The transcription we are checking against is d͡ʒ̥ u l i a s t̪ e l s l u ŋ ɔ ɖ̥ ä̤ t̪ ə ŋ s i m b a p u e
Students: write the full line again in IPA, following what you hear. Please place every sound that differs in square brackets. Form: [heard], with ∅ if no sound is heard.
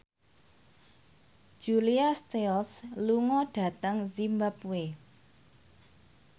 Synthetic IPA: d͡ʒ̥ u l i a s t̪ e l s l u ŋ ɔ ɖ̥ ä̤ t̪ ə ŋ [z] i m b a p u e